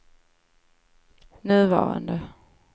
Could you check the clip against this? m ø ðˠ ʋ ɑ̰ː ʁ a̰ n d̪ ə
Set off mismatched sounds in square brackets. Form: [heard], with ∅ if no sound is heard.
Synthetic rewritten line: [n] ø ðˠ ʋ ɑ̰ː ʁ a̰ n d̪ ə